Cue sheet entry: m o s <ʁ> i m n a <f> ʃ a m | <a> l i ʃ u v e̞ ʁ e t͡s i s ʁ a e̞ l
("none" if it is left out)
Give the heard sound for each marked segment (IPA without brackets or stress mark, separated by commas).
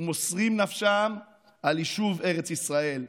ʁ, f, a